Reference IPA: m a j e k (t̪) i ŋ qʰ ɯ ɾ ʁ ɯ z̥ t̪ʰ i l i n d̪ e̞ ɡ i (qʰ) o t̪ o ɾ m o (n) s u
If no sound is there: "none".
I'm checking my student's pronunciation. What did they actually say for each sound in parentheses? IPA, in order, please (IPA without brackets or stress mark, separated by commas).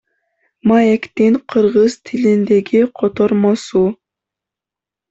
t̪, qʰ, none